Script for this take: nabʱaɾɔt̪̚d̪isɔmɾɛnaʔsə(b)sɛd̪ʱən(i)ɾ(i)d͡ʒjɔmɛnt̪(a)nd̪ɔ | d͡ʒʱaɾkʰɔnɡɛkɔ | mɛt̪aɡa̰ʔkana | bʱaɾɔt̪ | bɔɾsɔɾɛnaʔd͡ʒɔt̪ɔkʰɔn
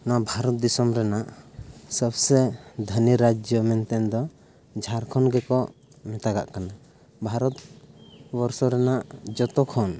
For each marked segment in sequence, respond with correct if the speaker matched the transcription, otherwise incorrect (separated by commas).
correct, correct, incorrect, incorrect